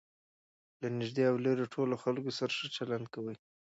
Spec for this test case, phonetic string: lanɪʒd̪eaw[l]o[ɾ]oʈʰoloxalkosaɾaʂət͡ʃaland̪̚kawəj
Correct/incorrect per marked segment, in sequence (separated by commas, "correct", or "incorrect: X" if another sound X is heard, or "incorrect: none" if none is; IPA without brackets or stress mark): correct, correct